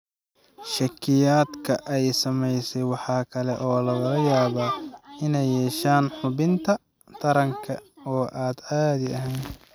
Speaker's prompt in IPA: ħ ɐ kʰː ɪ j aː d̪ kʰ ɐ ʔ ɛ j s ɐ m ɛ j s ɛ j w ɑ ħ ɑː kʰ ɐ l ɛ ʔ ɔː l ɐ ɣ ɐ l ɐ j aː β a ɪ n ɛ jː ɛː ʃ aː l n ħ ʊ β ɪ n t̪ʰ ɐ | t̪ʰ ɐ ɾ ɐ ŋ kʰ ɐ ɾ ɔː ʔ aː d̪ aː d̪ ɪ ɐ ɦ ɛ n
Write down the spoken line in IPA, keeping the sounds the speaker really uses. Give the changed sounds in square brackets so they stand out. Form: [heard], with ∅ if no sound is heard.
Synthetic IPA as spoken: [ʃ] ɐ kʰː ɪ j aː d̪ kʰ ɐ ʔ ɛ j s ɐ m ɛ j s ɛ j w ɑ ħ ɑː kʰ ɐ l ɛ ʔ ɔː l ɐ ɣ ɐ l ɐ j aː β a ɪ n ɛ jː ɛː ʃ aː [∅] n ħ ʊ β ɪ n t̪ʰ ɐ | t̪ʰ ɐ ɾ ɐ ŋ kʰ ɐ [∅] ɔː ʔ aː d̪ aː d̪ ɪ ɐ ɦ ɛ n